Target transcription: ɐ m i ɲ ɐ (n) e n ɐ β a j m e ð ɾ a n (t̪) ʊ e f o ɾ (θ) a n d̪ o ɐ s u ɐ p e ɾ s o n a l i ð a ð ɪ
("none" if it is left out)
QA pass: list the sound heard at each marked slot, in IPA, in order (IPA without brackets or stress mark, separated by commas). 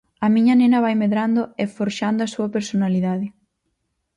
n, d̪, ʃ